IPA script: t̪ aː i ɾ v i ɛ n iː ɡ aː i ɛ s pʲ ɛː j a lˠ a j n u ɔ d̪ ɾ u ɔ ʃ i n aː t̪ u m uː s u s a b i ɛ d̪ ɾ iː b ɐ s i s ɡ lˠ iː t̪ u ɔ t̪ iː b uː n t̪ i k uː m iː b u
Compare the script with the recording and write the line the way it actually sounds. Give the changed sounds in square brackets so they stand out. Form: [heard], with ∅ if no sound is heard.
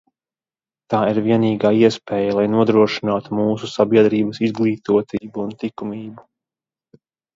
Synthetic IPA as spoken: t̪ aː i ɾ v i ɛ n iː ɡ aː i ɛ s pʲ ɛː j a lˠ a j n u ɔ d̪ ɾ u ɔ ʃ i n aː t̪ u m uː s u s a b i ɛ d̪ ɾ iː b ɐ s i [z] ɡ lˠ iː t̪ u ɔ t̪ iː b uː n t̪ i k [u] m iː b u